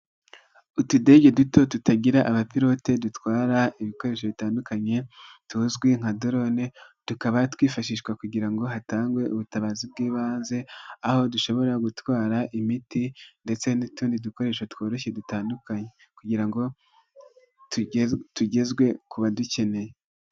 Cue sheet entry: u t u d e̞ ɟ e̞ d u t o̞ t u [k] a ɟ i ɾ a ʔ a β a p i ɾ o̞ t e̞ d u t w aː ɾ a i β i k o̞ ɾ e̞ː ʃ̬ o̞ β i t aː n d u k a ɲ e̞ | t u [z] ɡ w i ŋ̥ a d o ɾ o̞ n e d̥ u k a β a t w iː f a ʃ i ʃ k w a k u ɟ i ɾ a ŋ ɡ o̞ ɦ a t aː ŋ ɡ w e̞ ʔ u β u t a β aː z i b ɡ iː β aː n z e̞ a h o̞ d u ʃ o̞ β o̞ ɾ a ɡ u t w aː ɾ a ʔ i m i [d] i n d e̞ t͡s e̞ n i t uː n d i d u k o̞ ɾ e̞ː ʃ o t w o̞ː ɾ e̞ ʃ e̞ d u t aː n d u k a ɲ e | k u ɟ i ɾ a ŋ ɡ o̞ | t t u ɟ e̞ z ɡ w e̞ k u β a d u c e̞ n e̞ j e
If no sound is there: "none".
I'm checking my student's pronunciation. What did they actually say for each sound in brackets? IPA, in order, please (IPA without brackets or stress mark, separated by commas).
t, z, t